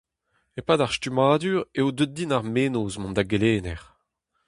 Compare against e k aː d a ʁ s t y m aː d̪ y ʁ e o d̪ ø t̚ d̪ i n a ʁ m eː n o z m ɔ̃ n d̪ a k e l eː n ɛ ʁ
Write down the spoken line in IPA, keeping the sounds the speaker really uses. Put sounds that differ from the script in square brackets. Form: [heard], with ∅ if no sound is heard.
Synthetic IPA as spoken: e [p] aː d a ʁ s t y m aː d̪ y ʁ e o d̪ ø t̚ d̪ i n a ʁ m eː n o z m ɔ̃ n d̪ a [ɡ] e l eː n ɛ ʁ